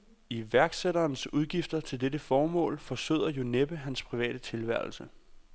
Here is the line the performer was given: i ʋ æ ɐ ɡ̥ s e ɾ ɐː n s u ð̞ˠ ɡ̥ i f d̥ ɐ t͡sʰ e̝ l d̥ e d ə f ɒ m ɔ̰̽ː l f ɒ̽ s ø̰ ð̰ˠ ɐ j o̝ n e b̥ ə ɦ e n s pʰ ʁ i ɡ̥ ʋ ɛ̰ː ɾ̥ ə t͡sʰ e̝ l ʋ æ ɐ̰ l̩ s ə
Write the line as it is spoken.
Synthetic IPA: i ʋ æ ɐ ɡ̥ s e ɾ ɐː n s u ð̞ˠ ɡ̥ i f d̥ ɐ t͡sʰ e̝ l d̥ e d ə f ɒː m ɔ̰̽ː l f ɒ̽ s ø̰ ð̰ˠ ɐ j o̝ n e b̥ ə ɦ æ n s pʰ ʁ i ʋ ɛ̰ː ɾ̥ ə t͡sʰ e̝ l ʋ æ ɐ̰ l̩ s ə